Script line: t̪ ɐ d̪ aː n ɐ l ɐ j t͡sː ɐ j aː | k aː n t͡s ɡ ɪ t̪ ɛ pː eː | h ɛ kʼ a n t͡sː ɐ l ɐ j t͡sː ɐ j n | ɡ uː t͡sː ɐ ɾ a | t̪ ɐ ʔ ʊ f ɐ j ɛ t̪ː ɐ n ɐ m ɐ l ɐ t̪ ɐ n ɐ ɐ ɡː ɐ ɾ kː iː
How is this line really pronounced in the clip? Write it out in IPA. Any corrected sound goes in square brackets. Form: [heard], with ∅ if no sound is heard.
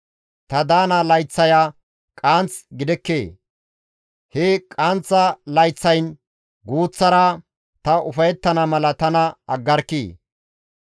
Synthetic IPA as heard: t̪ ɐ d̪ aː n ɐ l ɐ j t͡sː ɐ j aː | [kʼ] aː n t͡s ɡ ɪ [d̪] ɛ [kː] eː | h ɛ kʼ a n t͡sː ɐ l ɐ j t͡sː ɐ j n | ɡ uː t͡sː ɐ ɾ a | t̪ ɐ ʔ ʊ f ɐ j ɛ t̪ː ɐ n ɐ m ɐ l ɐ t̪ ɐ n ɐ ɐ ɡː ɐ ɾ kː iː